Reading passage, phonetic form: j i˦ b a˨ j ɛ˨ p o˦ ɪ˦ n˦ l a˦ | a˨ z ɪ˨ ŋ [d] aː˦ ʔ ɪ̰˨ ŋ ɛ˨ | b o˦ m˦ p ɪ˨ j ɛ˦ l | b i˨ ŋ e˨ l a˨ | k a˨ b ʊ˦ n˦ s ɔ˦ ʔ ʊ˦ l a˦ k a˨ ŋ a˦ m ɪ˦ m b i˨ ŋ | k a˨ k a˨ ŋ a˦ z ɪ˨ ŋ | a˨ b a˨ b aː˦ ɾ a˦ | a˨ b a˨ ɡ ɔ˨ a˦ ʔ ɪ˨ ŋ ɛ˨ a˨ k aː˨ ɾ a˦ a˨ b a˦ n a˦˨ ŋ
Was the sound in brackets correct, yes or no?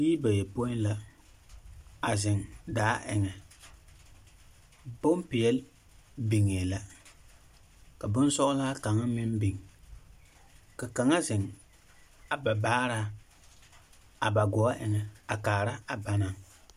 yes